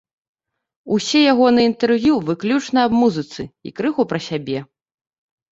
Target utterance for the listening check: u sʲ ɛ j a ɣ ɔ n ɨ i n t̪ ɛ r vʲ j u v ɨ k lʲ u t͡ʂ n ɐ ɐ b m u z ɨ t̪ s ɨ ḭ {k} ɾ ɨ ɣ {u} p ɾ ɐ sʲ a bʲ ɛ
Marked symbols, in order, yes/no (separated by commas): yes, yes